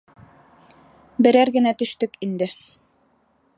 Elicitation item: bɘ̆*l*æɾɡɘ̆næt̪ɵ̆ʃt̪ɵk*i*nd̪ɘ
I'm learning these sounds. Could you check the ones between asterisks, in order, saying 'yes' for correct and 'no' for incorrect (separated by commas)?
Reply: no, yes